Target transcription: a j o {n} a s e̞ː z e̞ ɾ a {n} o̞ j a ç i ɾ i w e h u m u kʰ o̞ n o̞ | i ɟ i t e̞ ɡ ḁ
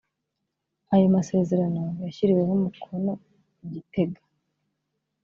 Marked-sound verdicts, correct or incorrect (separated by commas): incorrect, correct